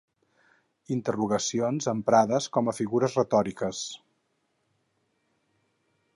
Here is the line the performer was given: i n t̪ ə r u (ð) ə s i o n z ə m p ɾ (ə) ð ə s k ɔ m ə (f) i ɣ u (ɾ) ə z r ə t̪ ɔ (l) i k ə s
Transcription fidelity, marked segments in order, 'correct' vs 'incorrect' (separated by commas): incorrect, incorrect, correct, correct, incorrect